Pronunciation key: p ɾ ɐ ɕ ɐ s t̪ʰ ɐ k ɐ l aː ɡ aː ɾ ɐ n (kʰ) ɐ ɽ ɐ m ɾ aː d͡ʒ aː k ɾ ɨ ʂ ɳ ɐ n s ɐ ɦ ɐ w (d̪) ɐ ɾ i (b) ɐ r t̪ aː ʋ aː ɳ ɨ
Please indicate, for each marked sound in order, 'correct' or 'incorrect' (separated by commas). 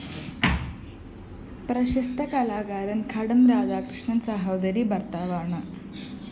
correct, correct, correct